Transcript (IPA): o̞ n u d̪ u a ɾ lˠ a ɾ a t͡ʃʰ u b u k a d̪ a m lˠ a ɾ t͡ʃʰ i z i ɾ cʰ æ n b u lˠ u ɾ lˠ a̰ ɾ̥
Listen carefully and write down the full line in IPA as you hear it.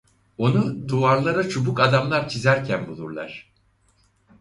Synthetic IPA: o̞ n u d̪ u a ɾ lˠ a ɾ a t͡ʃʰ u b u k a d̪ a m lˠ a ɾ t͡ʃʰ i z æ ɾ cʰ æ n b u lˠ u ɾ lˠ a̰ ɾ̥